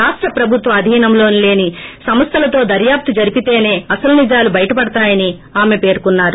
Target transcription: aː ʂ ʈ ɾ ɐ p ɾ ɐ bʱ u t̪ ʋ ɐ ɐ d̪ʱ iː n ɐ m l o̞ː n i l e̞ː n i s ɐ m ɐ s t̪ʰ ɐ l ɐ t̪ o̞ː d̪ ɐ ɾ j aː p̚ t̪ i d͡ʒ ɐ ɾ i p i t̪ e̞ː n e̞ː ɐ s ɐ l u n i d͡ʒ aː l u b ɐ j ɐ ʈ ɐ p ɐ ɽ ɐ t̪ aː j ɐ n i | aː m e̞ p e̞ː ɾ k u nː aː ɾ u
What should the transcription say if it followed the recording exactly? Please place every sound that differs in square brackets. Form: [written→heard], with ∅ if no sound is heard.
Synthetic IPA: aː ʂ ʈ ɾ ɐ p ɾ ɐ bʱ u t̪ ʋ ɐ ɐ d̪ʱ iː n ɐ m l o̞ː n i l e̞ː n i s ɐ m ɐ s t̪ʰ ɐ l ɐ t̪ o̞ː d̪ ɐ ɾ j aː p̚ t̪ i d͡ʒ ɐ ɾ i p i t̪ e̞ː n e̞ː ɐ s ɐ l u n i d͡ʒ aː l u b ɐ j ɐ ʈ ɐ p ɐ ɽ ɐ t̪ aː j ɐ n i | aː m e̞ p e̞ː ɾ k u nː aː ɾ u